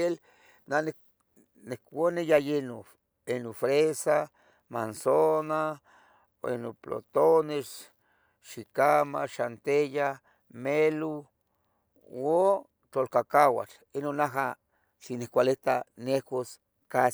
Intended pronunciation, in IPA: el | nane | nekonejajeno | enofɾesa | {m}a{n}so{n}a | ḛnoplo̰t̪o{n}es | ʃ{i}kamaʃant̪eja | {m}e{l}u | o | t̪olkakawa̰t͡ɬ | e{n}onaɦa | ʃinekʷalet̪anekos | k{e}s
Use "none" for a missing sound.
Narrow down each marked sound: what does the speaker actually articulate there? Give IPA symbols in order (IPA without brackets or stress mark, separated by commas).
m, n, n, n, i, m, l, n, a